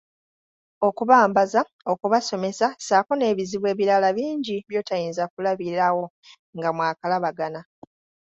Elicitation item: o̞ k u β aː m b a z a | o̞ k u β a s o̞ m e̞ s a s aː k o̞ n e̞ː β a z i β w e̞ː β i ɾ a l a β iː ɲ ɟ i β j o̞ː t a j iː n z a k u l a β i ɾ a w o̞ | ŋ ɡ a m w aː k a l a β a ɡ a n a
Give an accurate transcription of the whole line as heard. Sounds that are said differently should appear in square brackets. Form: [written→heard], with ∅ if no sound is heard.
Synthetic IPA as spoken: o̞ k u β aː m b a z a | o̞ k u β a s o̞ m e̞ s a s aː k o̞ n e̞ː β [a→i] z i β w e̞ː β i ɾ a l a β iː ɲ ɟ i β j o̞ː t a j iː n z a k u l a β i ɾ a w o̞ | ŋ ɡ a m w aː k a l a β a ɡ a n a